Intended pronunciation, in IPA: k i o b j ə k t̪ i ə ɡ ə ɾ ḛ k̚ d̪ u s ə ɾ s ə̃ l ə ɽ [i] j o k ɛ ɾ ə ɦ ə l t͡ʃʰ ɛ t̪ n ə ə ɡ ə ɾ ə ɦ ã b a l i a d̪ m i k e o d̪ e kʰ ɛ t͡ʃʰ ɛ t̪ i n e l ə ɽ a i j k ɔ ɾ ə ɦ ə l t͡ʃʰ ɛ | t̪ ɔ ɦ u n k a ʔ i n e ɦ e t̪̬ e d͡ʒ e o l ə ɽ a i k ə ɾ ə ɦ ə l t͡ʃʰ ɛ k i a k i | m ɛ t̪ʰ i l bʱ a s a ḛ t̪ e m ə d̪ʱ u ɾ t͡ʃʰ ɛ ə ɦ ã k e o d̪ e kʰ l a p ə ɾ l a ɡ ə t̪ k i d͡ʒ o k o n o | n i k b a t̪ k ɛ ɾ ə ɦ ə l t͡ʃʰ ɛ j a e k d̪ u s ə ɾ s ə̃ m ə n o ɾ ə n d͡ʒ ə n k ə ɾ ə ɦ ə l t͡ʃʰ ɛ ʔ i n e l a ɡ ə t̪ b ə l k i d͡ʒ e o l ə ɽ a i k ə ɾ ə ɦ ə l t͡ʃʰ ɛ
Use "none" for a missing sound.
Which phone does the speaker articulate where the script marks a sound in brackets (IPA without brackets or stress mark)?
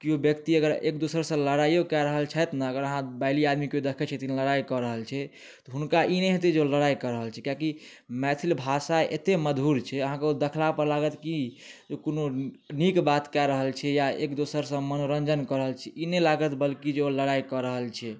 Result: a